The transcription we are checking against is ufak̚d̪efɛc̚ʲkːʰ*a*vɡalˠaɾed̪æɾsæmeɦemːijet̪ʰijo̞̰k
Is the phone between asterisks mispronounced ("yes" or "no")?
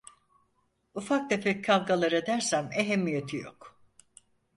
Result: no